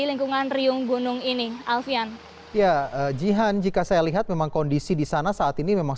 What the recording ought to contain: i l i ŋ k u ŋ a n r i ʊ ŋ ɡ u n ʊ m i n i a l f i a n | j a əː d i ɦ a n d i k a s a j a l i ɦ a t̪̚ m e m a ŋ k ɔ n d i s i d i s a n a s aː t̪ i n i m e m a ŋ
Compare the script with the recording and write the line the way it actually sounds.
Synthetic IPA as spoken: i l i ŋ k u ŋ a n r i ʊ ŋ ɡ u n ʊ ŋ i n i a l f i a n | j a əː d͡ʒ i ɦ a n d͡ʒ i k a s a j a l i ɦ a t̪̚ m e m a ŋ k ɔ n d i s i d i s a n a s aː t̪ i n i m e m a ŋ